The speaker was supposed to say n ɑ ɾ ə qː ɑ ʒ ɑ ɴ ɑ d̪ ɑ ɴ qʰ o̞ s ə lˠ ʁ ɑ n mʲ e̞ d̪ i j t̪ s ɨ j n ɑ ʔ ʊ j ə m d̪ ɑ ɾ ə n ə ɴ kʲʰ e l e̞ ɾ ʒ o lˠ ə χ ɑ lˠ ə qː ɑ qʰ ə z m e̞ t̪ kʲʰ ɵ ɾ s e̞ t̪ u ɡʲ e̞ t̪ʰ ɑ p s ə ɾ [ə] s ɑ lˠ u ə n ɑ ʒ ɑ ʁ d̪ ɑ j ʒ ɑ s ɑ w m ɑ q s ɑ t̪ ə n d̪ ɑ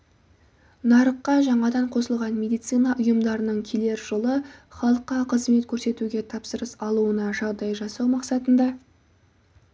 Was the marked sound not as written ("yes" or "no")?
no